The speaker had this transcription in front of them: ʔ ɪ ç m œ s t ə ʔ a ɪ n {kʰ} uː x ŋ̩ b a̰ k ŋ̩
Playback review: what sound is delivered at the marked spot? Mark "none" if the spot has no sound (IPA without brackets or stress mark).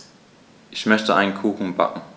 kʰ